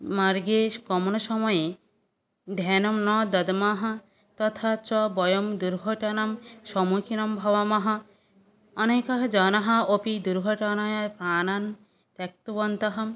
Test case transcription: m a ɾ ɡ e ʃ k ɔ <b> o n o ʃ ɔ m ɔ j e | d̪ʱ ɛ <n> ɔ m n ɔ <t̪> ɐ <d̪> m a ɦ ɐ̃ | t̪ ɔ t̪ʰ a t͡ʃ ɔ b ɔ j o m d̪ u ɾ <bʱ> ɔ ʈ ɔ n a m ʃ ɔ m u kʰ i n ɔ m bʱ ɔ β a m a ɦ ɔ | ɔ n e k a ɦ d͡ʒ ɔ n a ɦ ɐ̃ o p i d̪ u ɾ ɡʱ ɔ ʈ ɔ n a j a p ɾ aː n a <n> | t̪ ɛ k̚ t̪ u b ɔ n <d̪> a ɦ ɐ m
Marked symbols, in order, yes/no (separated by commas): no, yes, no, yes, no, yes, no